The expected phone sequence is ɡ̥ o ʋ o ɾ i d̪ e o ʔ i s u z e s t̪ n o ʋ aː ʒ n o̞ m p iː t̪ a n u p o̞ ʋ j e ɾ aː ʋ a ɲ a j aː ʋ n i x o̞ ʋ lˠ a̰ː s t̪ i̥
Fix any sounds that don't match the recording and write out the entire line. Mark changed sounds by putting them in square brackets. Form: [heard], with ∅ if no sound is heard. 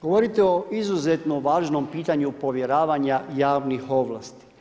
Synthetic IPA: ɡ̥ o ʋ o ɾ i [t̪] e o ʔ i [z] u z e [∅] t̪ n o ʋ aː ʒ n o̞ m p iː t̪ a [ɲ] u p o̞ ʋ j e ɾ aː ʋ a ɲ a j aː ʋ n i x o̞ ʋ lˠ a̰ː s t̪ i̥